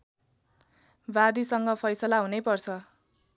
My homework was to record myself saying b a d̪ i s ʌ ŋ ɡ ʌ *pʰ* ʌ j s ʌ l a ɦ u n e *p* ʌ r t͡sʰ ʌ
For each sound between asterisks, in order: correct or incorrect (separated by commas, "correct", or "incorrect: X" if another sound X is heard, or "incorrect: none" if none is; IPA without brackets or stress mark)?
correct, correct